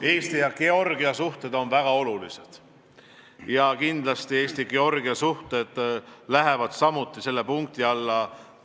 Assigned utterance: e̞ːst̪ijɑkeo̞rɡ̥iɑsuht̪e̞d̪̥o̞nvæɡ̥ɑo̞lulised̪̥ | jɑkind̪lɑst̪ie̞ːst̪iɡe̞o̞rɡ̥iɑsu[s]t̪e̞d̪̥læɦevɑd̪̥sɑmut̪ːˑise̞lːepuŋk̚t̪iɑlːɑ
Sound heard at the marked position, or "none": h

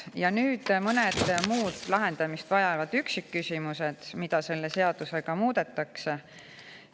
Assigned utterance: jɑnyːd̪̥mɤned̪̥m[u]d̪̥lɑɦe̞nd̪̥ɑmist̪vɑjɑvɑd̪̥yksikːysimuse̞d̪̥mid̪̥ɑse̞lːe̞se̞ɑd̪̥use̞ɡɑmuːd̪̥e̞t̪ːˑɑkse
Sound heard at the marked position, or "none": uː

